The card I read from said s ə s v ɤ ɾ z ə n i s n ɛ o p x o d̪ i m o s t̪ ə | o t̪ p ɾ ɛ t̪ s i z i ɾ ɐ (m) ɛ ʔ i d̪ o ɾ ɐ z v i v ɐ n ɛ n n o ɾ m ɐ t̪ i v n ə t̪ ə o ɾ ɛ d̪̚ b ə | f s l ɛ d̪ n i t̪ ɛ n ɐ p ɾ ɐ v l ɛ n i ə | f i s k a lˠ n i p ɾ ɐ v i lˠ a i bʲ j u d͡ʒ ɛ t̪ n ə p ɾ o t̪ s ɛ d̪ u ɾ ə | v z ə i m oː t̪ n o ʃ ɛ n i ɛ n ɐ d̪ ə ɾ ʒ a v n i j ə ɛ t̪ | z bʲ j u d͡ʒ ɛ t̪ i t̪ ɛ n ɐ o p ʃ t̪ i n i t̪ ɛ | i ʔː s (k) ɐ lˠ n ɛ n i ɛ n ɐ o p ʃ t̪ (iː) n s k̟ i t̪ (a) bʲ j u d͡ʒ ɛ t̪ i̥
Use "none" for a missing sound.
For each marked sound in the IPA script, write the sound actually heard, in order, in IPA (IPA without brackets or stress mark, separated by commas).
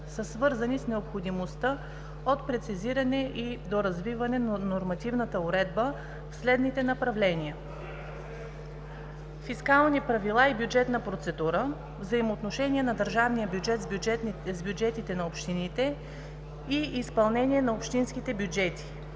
n, p, i, ɛ